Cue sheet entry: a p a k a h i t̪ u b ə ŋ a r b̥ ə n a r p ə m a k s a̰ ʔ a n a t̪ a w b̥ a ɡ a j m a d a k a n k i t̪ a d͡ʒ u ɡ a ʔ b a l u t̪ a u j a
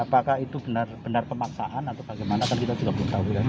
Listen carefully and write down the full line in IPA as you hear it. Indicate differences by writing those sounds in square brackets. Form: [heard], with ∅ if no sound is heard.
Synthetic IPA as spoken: a p a k a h i t̪ u b ə [n] a r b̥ ə n a r p ə m a k s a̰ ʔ a n a t̪ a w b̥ a ɡ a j m a [n] a k a n k i t̪ a d͡ʒ u ɡ a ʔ b [ə] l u t̪ a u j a